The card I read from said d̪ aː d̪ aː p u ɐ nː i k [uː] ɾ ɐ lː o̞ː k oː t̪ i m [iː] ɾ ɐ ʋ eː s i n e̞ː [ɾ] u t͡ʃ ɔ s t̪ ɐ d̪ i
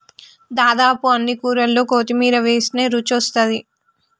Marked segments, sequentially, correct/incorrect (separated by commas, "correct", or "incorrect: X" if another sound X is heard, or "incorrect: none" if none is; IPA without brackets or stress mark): correct, correct, correct